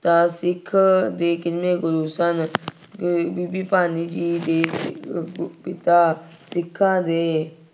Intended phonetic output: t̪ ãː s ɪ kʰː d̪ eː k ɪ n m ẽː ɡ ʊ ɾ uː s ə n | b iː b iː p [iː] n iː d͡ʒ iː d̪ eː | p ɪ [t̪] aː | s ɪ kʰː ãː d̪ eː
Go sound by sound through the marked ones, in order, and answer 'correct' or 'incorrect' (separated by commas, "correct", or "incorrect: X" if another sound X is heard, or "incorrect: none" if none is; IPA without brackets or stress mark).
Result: incorrect: aː, correct